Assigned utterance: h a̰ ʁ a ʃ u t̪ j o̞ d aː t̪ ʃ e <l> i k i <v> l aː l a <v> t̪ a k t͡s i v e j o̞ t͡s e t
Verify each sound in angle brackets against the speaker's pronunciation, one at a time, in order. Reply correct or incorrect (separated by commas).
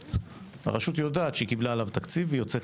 incorrect, incorrect, correct